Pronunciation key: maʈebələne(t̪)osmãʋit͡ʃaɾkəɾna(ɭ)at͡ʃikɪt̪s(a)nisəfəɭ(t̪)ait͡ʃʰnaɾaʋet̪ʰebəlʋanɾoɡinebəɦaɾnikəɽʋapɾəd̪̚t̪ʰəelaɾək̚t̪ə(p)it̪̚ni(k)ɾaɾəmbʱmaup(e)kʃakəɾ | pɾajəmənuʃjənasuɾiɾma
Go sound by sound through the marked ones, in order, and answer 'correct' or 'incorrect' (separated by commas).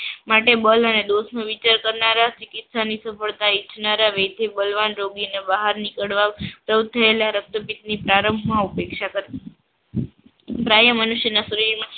incorrect, incorrect, correct, correct, correct, incorrect, correct